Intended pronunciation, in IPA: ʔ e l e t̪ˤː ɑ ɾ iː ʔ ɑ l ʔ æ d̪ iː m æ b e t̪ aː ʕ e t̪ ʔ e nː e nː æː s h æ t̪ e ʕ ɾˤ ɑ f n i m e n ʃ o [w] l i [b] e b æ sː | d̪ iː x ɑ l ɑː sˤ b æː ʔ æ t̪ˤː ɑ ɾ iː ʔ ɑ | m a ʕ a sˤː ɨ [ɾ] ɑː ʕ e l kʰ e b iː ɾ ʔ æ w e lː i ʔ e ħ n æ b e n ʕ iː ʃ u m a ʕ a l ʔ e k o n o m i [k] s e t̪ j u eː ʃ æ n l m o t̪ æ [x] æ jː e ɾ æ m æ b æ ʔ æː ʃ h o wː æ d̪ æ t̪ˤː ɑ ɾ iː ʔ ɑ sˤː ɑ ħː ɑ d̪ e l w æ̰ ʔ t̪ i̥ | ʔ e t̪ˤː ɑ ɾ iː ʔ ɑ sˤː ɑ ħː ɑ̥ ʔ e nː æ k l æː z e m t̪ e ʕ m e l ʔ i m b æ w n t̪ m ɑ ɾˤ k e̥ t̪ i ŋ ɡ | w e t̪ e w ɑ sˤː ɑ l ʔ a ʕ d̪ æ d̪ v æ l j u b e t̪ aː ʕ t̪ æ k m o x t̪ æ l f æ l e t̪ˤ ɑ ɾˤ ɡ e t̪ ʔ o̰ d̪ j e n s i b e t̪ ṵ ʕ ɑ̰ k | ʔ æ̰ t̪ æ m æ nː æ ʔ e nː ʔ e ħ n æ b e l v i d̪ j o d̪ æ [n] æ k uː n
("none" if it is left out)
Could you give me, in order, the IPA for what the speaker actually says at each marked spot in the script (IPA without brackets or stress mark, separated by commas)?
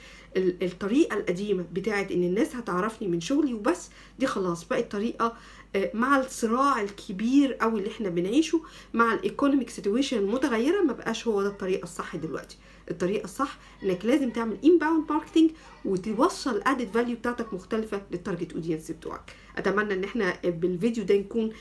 ɣ, w, ɾ, k, ɣ, n